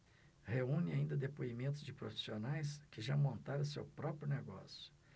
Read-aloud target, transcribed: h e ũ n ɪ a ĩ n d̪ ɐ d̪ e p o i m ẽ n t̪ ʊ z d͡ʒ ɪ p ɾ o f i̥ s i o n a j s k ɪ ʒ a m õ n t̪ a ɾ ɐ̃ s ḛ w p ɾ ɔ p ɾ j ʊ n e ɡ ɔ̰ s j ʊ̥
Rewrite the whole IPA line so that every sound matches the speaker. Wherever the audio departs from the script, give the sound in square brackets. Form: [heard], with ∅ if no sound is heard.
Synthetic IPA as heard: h e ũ n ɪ a ĩ n d̪ ɐ d̪ e p o i m ẽ n t̪ ʊ z d͡ʒ ɪ p ɾ o f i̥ s i o n a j s k ɪ ʒ a m õ n t̪ a ɾ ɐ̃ s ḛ w p ɾ ɔ p ɾ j ʊ n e ɡ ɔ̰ s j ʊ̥